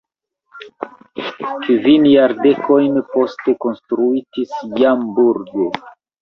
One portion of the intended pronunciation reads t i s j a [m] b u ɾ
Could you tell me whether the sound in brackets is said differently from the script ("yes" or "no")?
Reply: no